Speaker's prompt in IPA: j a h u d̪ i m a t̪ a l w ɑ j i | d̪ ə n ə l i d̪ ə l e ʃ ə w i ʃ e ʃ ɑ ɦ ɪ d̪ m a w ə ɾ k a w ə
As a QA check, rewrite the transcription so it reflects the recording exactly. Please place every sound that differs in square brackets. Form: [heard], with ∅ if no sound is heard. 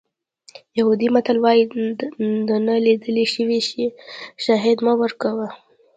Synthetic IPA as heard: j a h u d̪ i m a t̪ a l w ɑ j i | d̪ ə n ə l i d̪ ə l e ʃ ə w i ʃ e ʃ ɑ ɦ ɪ d̪ m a w ə ɾ k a w ə